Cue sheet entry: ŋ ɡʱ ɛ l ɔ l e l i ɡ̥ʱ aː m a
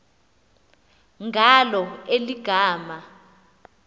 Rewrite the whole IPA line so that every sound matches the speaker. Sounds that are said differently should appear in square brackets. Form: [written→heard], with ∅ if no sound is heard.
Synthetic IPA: ŋ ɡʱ [ɛ→a] l ɔ [l→∅] e l i ɡ̥ʱ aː m a

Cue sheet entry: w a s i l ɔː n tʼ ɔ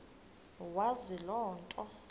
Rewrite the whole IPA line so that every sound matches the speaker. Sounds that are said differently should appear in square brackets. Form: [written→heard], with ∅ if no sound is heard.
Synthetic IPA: w a [s→z] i l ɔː n tʼ ɔ

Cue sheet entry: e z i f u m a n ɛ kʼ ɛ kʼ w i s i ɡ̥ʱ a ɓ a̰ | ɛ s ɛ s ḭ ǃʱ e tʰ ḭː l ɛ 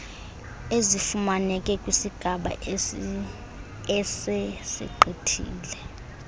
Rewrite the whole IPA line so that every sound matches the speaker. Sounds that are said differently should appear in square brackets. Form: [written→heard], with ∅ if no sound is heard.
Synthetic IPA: e z i f u m a n ɛ kʼ ɛ kʼ w i s i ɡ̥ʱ a ɓ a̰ | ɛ s ɛ s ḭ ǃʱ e tʰ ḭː l ɛ

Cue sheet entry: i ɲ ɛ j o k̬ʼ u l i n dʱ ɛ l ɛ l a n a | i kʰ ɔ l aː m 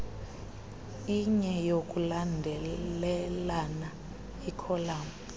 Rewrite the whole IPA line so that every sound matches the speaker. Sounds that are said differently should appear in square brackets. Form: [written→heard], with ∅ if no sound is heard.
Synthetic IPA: i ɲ ɛ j o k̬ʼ u l [i→a] n dʱ ɛ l ɛ l a n a | i kʰ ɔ l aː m

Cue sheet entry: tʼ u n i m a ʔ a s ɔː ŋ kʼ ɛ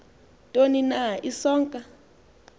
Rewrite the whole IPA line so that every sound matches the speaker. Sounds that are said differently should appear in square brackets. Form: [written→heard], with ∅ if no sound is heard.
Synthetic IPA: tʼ [u→o] n i [m→n] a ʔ [a→i] s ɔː ŋ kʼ [ɛ→a]

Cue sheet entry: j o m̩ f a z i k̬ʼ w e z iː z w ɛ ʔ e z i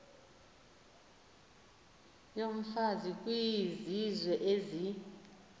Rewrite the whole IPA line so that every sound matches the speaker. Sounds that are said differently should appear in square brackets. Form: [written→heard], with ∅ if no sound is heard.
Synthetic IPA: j o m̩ f a z i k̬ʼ w [e→i] z [iː→i] z w ɛ ʔ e z i

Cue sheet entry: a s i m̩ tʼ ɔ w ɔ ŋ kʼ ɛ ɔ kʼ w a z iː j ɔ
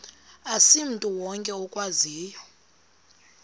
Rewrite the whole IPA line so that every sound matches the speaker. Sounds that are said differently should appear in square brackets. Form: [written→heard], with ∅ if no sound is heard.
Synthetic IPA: a s i m̩ tʼ [ɔ→u] w ɔ ŋ kʼ ɛ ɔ kʼ w a z iː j ɔ

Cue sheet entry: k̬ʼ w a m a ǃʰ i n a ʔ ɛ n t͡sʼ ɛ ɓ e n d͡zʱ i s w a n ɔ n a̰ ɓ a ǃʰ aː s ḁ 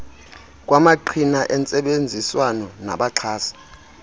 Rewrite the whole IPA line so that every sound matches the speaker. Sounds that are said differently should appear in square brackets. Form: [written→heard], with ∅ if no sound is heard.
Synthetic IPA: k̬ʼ w a m a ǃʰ i n a ʔ ɛ n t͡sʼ ɛ ɓ e n d͡zʱ i s w a n ɔ n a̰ ɓ a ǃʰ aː s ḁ

